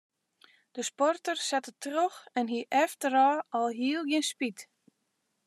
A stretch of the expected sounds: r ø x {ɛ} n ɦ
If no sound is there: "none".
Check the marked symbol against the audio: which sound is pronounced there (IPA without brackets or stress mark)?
ɛ